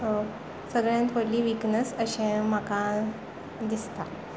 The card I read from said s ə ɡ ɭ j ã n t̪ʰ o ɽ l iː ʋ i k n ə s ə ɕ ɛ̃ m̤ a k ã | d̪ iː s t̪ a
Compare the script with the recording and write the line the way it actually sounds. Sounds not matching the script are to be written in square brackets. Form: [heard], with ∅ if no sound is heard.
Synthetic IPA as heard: s ə ɡ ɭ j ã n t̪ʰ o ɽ l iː ʋ i k n ə s ə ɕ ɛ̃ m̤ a k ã | d̪ [i] s t̪ a